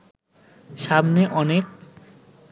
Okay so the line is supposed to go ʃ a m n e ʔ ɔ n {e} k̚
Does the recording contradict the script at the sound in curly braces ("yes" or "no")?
no